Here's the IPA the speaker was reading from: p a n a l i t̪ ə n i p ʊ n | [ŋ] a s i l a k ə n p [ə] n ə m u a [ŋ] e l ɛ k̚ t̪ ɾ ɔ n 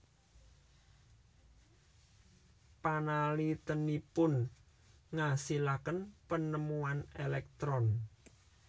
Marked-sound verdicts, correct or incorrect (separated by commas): correct, correct, incorrect